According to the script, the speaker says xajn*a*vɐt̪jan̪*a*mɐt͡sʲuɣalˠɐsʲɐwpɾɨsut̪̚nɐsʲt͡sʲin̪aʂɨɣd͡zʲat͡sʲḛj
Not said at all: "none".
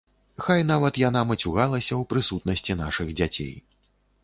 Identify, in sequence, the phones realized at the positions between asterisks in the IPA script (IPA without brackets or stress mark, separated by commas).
a, a